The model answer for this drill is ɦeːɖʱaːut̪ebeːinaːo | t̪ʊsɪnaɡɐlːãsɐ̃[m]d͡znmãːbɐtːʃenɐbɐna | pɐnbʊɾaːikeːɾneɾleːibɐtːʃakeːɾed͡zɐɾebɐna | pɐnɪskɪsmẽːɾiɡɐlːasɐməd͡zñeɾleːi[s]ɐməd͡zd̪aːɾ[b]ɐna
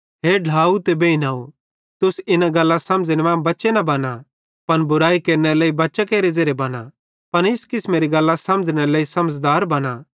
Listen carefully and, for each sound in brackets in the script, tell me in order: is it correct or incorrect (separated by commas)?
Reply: correct, correct, correct